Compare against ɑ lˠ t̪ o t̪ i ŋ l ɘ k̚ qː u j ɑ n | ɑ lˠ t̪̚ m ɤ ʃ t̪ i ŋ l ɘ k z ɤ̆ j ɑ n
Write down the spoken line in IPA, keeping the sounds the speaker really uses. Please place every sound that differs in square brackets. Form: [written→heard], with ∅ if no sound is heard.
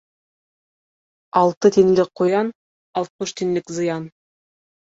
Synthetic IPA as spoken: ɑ lˠ t̪ [o→ɤ] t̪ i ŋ l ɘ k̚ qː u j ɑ n | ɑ lˠ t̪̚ m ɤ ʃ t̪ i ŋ l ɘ k z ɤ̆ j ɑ n